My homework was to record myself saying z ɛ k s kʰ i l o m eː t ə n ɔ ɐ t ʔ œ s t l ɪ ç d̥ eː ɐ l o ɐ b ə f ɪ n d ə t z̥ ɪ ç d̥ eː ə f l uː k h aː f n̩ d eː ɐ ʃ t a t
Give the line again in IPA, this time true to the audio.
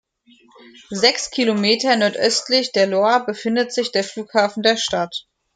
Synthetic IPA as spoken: z ɛ k s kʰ i l o m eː t ɐ n ɔ ɐ t ʔ œ s t l ɪ ç d̥ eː ɐ l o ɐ b ə f ɪ n d ə t z̥ ɪ ç d̥ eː ɐ f l uː k h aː f n̩ d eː ɐ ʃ t a t

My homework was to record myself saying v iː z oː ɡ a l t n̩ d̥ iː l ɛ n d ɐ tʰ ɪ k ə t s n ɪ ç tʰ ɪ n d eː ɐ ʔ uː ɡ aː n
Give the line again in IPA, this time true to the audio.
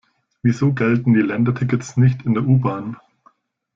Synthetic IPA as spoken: v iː z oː ɡ ɛ l t n̩ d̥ iː l ɛ n d ɐ tʰ ɪ k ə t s n ɪ ç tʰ ɪ n d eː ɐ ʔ uː b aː n

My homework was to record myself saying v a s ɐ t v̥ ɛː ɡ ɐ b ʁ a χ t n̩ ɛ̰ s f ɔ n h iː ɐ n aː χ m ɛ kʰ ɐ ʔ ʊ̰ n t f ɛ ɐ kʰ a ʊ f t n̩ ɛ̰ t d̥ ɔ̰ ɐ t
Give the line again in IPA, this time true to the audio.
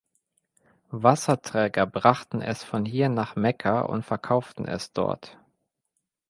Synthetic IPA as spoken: v a s ɐ t ʁ̥ ɛː ɡ ɐ b ʁ a χ t n̩ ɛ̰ s f ɔ n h iː ɐ n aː χ m ɛ kʰ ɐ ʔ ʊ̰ n t f ɛ ɐ kʰ a ʊ f t n̩ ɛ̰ s d̥ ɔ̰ ɐ t

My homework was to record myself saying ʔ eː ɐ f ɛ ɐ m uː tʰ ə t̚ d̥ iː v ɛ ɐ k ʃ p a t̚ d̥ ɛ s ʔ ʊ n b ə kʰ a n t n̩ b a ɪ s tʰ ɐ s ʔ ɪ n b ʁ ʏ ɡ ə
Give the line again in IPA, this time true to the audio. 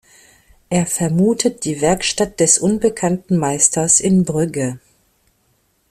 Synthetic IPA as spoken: ʔ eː ɐ f ɛ ɐ m uː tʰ ə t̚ d̥ iː v ɛ ɐ k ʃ t a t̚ d̥ ɛ s ʔ ʊ n b ə kʰ a n t n̩ m a ɪ s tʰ ɐ s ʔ ɪ n b ʁ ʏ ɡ ə

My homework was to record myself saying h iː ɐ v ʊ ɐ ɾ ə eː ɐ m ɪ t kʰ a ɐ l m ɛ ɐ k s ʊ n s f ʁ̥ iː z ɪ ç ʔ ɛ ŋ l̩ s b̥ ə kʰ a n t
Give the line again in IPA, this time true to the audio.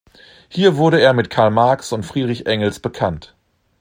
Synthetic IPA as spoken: h iː ɐ v ʊ ɐ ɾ ə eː ɐ m ɪ t kʰ a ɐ l m a ɐ k s ʊ n t f ʁ̥ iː ʁ ɪ ç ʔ ɛ ŋ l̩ s b̥ ə kʰ a n t

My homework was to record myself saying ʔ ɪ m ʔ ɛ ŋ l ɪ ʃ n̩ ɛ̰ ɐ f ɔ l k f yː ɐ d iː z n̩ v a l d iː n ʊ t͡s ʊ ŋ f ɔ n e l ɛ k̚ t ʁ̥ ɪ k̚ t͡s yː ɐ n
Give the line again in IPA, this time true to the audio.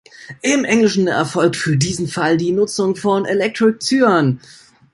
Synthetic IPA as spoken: ʔ ɪ m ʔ ɛ ŋ l ɪ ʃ n̩ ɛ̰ ɐ f ɔ l k f yː ɐ d iː z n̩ f a l d iː n ʊ t͡s ʊ ŋ f ɔ n e l ɛ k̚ t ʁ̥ ɪ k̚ t͡s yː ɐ n

